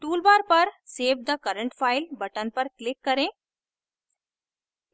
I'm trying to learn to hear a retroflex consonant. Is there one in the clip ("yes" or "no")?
yes